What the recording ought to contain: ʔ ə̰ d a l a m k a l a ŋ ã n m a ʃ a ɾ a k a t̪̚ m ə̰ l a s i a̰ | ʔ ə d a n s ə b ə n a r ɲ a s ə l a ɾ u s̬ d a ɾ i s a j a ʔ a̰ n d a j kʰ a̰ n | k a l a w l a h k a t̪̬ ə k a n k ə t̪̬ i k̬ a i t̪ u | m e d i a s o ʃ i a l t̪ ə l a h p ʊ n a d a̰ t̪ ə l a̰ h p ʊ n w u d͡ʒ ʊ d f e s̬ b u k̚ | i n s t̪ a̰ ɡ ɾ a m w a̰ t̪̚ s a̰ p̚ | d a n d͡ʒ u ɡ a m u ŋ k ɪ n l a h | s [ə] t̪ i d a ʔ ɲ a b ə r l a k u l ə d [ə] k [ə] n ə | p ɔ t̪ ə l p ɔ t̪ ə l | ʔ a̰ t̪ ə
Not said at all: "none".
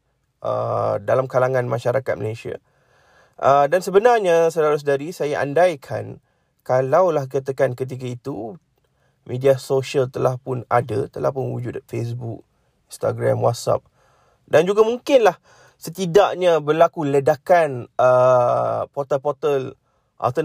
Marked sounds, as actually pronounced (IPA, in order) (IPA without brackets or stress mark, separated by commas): ə, a, a